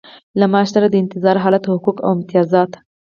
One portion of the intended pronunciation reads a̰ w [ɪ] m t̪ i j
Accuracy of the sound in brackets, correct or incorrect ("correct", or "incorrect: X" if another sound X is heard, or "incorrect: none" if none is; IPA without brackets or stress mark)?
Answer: correct